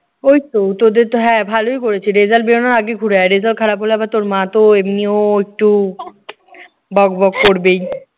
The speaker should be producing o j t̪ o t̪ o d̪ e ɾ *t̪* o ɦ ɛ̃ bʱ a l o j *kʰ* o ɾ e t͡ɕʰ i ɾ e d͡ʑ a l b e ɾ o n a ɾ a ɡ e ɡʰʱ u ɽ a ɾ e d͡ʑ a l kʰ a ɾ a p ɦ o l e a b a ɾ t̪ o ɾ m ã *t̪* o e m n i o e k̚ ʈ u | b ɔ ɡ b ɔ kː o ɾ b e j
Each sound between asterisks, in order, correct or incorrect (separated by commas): correct, incorrect, correct